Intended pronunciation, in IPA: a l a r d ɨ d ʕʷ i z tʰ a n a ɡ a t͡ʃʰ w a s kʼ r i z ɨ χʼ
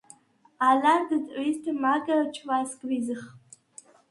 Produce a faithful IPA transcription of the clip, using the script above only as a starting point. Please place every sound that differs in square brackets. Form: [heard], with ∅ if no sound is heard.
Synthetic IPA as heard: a l a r d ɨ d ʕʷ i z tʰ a [m] a ɡ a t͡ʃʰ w a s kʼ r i z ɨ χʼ